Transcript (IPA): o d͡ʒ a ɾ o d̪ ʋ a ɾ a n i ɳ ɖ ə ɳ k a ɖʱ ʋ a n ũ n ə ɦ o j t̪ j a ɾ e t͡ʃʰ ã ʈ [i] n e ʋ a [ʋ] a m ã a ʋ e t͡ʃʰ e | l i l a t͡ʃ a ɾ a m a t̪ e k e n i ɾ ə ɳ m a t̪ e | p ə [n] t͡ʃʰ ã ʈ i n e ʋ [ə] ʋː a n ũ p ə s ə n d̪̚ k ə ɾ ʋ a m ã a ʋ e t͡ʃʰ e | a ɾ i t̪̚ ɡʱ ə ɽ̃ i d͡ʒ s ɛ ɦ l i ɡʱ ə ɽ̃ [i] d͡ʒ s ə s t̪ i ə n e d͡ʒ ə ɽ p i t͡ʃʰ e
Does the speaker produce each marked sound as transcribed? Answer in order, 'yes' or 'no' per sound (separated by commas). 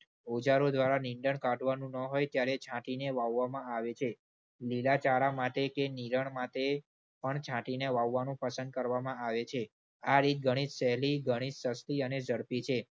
yes, no, no, no, yes